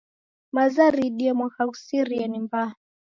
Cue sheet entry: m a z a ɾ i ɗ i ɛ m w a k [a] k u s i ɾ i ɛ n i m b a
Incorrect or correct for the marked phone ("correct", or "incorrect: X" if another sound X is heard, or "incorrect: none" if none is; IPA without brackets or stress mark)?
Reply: correct